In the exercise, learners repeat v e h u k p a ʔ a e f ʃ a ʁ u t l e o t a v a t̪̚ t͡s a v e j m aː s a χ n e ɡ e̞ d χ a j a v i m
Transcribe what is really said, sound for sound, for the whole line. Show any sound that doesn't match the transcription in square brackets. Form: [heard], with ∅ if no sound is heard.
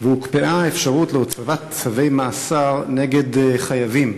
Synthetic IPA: v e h u k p [e] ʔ a e f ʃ a ʁ u t l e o [t͡s] a v a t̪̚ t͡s a v e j m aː s a [ʁ] n e ɡ e̞ d χ a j a v i m